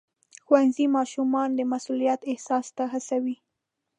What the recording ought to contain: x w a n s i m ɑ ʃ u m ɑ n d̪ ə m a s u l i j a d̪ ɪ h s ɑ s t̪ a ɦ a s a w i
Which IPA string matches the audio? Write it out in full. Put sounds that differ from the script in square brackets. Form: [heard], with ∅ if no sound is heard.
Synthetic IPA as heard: x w a n [z] i m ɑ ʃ u m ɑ n d̪ ə m a s u l i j a [t̪] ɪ h s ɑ s t̪ a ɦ a s a w i